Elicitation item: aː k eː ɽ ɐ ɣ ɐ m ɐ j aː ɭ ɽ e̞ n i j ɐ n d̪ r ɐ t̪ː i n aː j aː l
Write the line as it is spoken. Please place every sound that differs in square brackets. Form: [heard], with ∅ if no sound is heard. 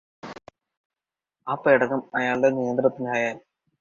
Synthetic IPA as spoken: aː [p] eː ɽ ɐ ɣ ɐ m ɐ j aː ɭ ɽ e̞ n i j ɐ n d̪ r ɐ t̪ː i n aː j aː l